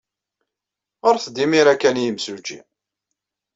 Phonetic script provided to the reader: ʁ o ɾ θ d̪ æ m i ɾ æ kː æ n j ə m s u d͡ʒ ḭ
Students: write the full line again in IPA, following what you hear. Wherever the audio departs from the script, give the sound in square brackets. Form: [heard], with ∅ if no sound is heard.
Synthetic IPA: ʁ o ɾ θ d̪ [i] m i ɾ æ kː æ n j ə m s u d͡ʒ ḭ